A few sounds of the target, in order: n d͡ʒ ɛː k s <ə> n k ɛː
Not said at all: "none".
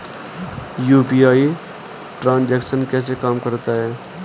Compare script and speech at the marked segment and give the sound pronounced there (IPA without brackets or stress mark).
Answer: ə